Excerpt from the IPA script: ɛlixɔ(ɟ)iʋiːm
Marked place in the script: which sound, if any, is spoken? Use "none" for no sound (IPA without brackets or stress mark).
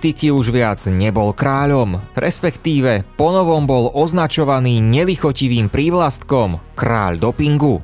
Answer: c